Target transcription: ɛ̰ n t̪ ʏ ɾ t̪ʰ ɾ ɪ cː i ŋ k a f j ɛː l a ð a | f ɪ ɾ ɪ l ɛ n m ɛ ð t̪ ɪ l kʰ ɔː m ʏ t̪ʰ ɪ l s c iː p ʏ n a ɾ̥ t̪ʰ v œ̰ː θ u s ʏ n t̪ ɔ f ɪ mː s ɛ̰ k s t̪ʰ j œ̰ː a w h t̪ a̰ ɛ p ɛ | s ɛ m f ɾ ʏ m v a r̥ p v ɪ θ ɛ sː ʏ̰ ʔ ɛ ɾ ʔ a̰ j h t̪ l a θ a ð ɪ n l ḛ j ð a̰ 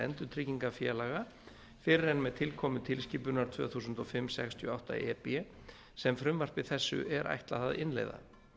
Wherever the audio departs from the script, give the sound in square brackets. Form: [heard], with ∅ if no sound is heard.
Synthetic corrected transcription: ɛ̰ n t̪ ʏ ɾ t̪ʰ ɾ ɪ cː i ŋ k a f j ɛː l a [ɣ] a | f ɪ ɾ ɪ [ɾ] ɛ n m ɛ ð [t̪ʰ] ɪ l kʰ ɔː m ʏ t̪ʰ ɪ l s c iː p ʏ n a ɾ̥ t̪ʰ v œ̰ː θ u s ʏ n t̪ ɔ f ɪ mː s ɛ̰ k s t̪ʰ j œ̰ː a w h t̪ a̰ ɛ p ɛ | s ɛ m f ɾ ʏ m v a r̥ p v ɪ θ ɛ sː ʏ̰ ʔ ɛ ɾ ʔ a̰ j h t̪ l a θ a ð ɪ n l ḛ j ð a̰